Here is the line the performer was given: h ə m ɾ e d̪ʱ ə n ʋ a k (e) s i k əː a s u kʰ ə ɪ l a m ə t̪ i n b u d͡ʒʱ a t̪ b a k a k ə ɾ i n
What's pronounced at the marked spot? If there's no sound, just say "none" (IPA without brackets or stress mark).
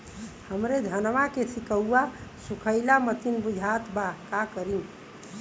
e